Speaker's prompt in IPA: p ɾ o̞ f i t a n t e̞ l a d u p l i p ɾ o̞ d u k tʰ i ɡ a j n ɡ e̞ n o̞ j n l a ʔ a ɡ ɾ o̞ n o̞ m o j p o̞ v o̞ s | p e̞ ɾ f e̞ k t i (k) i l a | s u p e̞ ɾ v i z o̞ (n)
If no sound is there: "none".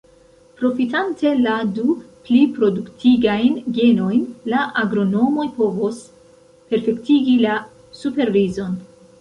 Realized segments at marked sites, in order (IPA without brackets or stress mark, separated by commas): ɡ, n